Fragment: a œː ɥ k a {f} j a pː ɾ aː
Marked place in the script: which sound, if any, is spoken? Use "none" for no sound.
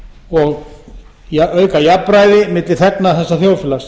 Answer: none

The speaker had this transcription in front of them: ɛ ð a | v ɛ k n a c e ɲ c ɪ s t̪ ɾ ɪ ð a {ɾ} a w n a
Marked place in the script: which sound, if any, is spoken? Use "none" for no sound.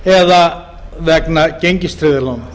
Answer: l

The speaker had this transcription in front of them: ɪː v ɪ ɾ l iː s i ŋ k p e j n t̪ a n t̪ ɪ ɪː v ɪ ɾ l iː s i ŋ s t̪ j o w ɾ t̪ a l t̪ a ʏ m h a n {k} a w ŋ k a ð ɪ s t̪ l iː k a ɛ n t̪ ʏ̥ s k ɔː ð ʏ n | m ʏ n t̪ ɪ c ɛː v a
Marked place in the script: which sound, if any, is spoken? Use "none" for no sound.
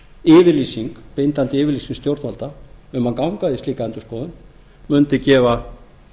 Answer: k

